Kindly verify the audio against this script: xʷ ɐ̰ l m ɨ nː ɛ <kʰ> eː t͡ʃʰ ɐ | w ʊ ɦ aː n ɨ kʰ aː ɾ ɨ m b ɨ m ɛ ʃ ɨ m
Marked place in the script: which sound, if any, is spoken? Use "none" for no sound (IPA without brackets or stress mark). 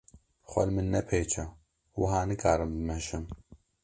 pʰ